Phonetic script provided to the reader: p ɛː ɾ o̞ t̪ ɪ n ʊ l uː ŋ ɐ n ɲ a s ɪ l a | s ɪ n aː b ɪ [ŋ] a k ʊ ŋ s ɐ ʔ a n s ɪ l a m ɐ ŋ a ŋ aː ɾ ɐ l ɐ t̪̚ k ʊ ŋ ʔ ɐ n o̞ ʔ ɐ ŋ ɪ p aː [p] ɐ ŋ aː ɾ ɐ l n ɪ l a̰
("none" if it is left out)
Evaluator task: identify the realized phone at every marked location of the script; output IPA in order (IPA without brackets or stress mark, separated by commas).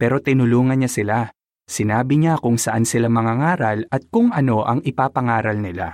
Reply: ɲ, p